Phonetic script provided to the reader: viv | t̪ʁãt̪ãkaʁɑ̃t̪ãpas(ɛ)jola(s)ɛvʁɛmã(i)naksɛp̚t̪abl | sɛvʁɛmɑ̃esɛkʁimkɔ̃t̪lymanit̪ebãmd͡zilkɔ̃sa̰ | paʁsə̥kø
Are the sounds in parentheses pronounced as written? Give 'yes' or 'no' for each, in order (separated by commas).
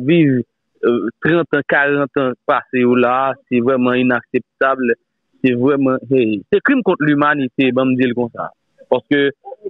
no, yes, yes